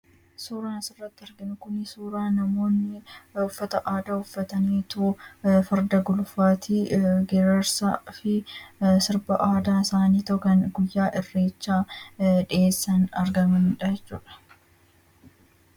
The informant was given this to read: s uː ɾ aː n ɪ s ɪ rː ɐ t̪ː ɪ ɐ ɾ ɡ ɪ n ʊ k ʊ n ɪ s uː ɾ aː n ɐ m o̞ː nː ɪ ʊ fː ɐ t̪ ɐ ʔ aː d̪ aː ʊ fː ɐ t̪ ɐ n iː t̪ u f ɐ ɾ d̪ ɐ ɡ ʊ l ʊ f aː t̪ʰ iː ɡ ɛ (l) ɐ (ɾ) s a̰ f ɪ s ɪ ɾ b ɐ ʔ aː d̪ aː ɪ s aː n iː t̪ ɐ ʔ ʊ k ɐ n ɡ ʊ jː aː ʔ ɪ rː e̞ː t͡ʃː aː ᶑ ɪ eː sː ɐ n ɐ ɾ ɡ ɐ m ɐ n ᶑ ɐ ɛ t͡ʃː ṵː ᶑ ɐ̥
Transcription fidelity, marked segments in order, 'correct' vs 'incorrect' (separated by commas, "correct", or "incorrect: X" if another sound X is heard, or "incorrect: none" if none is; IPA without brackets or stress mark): incorrect: ɾ, correct